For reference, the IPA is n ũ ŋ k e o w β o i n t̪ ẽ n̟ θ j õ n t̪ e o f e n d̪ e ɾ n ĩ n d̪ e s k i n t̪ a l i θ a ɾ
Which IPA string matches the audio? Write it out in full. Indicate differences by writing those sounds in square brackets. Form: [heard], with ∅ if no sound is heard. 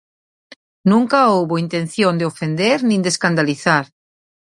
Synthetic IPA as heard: n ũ ŋ k [a] o w β o i n t̪ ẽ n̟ θ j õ n [d̪] e o f e n d̪ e ɾ n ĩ n d̪ e s k [a] n [d̪] a l i θ a ɾ